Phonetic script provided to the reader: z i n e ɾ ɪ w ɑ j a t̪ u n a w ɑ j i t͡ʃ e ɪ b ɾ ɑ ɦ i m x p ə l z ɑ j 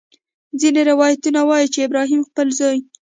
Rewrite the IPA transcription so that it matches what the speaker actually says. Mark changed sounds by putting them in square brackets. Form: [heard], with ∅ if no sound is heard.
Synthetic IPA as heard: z i n e ɾ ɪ w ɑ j a t̪ u n a w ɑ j i t͡ʃ e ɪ b ɾ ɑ ɦ i m x p ə l z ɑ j